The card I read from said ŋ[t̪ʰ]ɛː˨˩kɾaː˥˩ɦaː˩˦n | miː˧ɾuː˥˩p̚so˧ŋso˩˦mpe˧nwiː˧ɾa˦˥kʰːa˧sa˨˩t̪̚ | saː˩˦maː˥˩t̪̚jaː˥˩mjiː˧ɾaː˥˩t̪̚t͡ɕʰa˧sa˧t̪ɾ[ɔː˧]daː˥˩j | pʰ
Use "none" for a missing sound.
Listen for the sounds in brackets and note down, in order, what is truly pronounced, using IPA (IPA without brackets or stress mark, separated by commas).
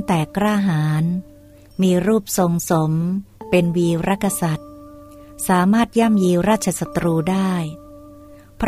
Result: t̪, uː˧